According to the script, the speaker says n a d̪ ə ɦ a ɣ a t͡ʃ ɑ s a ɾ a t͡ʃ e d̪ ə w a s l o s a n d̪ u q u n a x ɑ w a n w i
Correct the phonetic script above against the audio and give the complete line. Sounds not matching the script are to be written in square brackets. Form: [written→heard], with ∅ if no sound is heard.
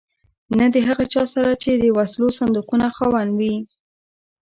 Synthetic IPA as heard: n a d̪ ə ɦ a ɣ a t͡ʃ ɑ s a ɾ a t͡ʃ e d̪ ə w a s l o s a n d̪ u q u n a x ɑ w a n w i